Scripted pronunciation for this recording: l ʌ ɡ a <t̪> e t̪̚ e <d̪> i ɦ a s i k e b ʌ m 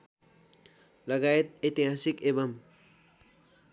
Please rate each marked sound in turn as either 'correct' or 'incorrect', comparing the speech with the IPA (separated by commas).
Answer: incorrect, incorrect